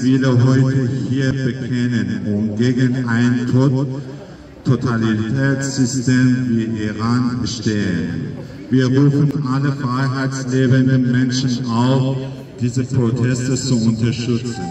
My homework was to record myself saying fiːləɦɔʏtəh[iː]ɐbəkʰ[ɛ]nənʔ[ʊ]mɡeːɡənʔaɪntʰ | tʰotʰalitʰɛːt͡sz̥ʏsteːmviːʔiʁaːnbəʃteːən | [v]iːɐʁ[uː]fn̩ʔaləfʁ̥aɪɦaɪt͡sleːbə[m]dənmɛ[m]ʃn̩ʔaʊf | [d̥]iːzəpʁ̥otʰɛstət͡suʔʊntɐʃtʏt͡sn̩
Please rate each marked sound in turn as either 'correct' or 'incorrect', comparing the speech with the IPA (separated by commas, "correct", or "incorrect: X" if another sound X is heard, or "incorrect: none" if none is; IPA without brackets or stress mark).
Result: correct, correct, correct, correct, correct, incorrect: n, incorrect: n, correct